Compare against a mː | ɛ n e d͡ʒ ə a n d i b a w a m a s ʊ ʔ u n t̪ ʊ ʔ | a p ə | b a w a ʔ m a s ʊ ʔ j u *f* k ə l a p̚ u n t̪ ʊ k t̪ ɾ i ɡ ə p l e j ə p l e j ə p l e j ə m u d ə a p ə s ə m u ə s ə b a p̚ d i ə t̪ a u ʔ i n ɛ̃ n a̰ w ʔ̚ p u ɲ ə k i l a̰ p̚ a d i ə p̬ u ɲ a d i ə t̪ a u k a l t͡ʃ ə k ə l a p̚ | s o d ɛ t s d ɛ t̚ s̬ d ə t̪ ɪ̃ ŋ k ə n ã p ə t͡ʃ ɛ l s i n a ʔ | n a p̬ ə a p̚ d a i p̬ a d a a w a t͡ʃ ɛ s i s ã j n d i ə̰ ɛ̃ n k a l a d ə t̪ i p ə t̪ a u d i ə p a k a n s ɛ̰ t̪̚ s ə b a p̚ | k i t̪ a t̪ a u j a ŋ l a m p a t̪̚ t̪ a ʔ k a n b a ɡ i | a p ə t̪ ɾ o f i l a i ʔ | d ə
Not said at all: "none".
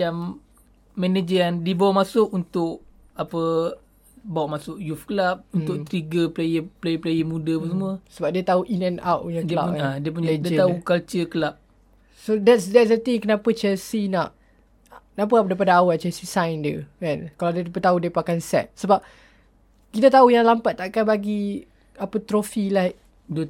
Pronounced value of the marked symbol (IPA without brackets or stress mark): f